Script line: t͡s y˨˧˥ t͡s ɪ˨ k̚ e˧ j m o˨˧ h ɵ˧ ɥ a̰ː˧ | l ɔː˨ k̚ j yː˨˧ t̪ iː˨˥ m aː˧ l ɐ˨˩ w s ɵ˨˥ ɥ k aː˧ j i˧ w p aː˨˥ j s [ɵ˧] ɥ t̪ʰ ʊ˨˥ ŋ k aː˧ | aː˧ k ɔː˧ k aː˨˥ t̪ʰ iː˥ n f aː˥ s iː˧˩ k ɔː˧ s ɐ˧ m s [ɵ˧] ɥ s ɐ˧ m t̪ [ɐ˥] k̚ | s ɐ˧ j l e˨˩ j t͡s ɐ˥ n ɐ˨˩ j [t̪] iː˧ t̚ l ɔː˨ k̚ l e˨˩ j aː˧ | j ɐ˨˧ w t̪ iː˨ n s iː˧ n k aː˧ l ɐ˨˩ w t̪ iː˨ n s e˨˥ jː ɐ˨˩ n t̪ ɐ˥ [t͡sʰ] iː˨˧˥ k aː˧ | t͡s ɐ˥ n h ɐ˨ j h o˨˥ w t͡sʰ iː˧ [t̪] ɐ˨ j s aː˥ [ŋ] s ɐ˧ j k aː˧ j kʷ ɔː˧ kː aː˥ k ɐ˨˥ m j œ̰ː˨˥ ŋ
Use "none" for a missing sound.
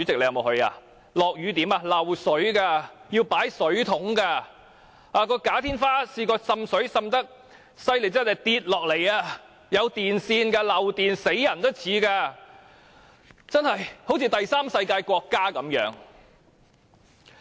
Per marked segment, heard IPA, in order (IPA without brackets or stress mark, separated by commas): ɵ˨˥, ɵ˨˥, ɐ˥, t̪, t͡sʰ, t̪, m